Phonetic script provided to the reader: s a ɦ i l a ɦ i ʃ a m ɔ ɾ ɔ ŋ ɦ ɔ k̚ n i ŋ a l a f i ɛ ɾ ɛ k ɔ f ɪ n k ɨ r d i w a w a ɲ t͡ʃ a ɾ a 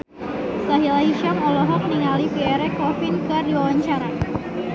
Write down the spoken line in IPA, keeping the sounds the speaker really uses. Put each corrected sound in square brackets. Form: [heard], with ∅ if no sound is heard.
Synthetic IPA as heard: s a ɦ i l a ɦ i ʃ a m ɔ [l] ɔ [∅] ɦ ɔ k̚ n i ŋ a l [i] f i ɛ ɾ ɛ k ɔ f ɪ n k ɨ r d i w a w a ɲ t͡ʃ a ɾ a